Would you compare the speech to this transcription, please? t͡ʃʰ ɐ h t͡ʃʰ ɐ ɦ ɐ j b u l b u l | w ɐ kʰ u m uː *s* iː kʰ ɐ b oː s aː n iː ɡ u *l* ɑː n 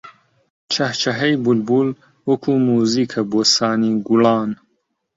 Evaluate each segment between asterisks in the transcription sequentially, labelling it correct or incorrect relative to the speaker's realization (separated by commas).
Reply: incorrect, correct